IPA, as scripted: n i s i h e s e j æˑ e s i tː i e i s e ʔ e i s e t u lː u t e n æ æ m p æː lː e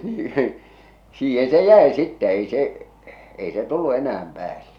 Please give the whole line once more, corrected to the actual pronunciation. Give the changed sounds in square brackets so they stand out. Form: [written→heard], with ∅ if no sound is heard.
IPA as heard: n [i→iː] s [i→iː] h e s e j æˑ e s i tː [i→ɛ] e i s e ʔ e i s e t u lː u [t→∅] e n æ æ m p æː lː e